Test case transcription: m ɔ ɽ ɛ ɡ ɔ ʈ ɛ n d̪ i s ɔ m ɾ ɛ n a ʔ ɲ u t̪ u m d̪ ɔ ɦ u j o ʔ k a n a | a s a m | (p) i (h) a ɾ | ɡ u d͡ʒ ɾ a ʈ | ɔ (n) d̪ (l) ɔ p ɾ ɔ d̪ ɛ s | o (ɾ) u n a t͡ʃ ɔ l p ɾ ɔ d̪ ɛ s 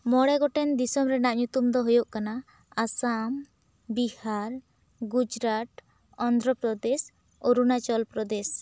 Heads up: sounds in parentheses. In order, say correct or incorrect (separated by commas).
incorrect, correct, correct, incorrect, correct